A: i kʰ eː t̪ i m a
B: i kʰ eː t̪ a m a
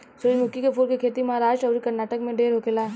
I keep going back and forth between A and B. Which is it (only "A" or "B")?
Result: A